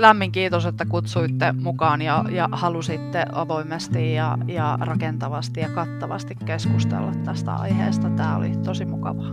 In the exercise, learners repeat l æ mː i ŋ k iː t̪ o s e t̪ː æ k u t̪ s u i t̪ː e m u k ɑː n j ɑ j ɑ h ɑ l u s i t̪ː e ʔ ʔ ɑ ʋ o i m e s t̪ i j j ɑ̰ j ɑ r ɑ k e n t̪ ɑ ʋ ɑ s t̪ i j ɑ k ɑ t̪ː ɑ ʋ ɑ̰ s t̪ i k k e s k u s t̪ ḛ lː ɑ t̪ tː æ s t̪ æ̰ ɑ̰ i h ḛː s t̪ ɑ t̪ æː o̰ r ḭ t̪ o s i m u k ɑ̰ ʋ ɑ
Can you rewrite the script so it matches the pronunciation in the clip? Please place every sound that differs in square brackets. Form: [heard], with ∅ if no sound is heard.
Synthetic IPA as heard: l æ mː i ŋ k iː t̪ o s e t̪ː æ k u t̪ s u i t̪ː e m u k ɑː n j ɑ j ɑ h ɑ l u s i t̪ː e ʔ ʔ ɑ ʋ o i m e s t̪ i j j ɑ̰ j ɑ r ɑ k e n t̪ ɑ ʋ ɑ s t̪ i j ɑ k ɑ t̪ː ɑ ʋ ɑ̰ s t̪ i k k e s k u s t̪ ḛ lː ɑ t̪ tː æ s t̪ æ̰ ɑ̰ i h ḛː s t̪ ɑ t̪ æː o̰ [l] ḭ t̪ o s i m u k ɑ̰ ʋ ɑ